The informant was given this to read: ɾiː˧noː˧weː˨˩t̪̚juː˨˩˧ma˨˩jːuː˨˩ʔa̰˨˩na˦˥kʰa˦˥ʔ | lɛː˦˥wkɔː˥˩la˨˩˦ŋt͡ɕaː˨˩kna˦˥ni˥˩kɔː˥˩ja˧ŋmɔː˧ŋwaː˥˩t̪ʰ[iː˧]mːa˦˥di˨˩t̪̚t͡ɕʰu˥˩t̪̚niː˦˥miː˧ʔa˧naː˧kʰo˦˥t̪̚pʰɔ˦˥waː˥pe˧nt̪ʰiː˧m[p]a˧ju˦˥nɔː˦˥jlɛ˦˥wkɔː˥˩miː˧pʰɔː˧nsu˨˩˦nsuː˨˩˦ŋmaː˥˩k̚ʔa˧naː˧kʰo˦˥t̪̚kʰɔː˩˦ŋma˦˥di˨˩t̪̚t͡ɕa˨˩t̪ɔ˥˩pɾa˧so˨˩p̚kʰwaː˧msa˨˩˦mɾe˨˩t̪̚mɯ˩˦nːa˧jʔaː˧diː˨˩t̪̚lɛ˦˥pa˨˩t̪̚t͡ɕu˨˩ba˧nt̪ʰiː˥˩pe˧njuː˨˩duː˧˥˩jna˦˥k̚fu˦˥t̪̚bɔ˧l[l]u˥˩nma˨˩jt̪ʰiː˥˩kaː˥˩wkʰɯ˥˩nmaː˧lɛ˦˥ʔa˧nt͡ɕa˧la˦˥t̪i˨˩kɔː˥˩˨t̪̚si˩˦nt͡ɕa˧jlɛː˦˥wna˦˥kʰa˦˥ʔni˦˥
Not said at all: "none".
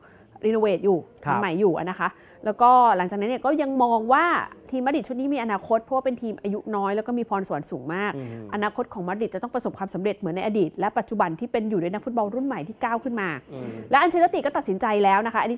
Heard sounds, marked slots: iː˧, ʔ, ɾ

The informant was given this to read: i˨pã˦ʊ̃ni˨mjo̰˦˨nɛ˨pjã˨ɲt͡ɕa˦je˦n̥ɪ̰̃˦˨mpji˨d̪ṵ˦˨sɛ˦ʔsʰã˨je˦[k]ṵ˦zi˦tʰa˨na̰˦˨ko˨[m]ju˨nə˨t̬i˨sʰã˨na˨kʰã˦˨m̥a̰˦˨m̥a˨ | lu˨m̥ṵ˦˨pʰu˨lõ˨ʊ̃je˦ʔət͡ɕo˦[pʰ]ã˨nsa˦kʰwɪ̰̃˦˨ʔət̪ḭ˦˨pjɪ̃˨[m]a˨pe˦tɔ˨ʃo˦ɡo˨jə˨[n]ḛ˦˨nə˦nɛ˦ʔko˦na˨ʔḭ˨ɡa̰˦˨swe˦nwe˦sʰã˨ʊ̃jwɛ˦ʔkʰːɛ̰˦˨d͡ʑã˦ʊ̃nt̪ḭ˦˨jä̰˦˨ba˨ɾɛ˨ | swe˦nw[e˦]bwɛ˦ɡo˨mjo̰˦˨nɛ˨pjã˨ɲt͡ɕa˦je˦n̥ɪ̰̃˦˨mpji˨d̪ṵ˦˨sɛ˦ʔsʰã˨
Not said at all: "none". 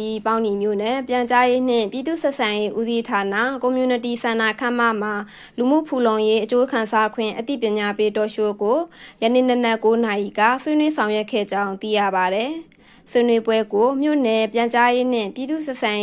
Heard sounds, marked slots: ʔ, m, kʰ, ɲ, n, e˦

